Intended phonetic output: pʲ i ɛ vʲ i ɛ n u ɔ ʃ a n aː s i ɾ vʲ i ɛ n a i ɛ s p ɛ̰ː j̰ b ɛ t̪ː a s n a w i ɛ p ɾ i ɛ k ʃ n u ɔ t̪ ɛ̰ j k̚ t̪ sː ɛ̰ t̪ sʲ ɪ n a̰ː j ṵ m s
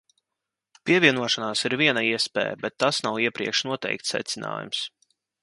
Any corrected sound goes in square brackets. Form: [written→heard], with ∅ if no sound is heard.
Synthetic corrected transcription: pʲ i ɛ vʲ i ɛ n u ɔ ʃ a n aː s i ɾ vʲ i ɛ n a i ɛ s p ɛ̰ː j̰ b ɛ t̪ː a s n a w i ɛ p ɾ i ɛ k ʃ n u ɔ t̪ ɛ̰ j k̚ t̪ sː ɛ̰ t̪ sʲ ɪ n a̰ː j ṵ m s